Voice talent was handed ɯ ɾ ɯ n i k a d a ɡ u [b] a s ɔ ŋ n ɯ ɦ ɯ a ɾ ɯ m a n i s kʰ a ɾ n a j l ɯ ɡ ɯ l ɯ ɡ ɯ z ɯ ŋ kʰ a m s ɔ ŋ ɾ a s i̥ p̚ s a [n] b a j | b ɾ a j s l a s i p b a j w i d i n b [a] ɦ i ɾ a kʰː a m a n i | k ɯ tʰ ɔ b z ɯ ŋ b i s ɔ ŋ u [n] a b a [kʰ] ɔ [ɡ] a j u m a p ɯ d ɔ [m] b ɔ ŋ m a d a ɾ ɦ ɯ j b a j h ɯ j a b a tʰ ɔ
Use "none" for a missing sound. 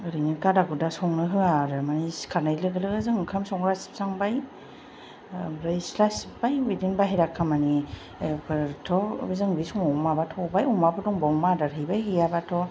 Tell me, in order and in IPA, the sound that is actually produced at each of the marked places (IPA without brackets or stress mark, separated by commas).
d, ŋ, a, m, tʰ, b, ŋ